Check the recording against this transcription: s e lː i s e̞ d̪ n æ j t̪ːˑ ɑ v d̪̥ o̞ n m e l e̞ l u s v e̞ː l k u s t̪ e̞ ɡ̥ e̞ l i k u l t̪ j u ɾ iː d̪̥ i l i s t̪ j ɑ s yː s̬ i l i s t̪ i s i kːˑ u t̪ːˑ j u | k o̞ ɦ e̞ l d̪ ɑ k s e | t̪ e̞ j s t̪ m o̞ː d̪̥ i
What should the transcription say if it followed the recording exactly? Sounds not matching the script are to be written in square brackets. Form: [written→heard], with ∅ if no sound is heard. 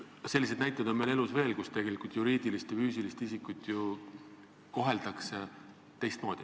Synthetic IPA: s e lː i s e̞ d̪ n æ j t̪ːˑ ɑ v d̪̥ o̞ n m e l e̞ l u s v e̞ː l k u s t̪ e̞ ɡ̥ e̞ l i k u l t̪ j u ɾ iː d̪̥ i l i s t̪ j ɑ [s→f] yː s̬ i l i s t̪ i s i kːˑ u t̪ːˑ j u | k o̞ ɦ e̞ l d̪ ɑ k s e | t̪ e̞ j s t̪ m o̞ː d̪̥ i